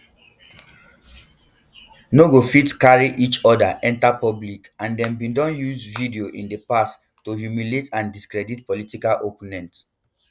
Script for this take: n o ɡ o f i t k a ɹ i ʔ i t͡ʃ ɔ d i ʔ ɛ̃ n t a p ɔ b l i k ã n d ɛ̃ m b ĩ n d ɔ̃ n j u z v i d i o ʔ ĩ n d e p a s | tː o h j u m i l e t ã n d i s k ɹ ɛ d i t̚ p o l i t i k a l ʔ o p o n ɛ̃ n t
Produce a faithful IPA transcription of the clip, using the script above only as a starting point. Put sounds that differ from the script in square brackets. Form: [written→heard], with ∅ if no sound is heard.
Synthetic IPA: n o ɡ o f i t k a ɹ i ʔ i t͡ʃ ɔ d [i→a] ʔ ɛ̃ n t a p ɔ b l i k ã n d ɛ̃ m b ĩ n d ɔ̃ n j u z v i d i o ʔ ĩ n d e p a s | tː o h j u m i l e t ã n d i s k ɹ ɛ d i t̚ p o l i t i k a l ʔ o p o n ɛ̃ n t

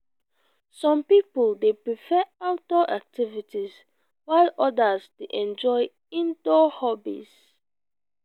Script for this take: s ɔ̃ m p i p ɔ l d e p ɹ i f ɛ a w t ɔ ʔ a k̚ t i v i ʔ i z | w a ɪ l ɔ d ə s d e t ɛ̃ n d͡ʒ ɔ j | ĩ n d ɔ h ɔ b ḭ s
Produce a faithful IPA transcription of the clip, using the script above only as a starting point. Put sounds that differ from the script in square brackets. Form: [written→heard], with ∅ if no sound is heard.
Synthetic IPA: s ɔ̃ m p i p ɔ l d e p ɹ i f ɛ a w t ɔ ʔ a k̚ t i v i [ʔ→t] i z | w a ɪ l ɔ d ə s d e [t→ʔ] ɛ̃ n d͡ʒ ɔ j | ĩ n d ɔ h ɔ b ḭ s

